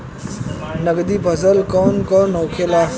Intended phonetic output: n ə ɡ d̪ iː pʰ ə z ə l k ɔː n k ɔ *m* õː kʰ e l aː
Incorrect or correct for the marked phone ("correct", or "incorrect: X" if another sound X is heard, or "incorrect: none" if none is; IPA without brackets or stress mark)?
incorrect: n